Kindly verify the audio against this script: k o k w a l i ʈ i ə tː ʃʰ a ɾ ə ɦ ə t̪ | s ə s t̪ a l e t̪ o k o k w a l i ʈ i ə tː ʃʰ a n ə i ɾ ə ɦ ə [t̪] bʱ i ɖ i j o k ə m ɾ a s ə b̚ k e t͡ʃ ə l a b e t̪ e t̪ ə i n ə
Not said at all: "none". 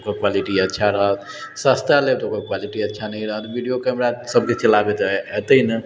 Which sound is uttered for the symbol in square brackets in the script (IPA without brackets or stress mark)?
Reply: t̪